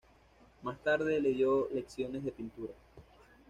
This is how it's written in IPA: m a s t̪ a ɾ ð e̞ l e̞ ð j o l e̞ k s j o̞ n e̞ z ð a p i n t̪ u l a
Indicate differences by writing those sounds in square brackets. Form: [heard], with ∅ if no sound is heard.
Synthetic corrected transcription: m a s t̪ a ɾ ð e̞ l e̞ ð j o l e̞ k s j o̞ n e̞ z ð [e] p i n t̪ u [ɾ] a